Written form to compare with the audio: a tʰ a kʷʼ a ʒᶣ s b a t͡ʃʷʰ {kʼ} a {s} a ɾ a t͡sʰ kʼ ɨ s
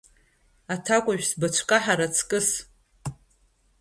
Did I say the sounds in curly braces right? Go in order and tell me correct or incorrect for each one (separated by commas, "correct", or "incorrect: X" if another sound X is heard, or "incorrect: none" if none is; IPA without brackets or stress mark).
correct, incorrect: ħ